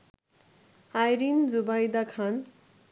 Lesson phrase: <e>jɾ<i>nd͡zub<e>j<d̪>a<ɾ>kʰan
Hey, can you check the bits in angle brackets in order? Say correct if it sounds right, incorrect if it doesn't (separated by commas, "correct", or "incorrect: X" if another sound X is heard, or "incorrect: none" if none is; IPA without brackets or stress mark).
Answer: incorrect: a, correct, incorrect: a, correct, incorrect: none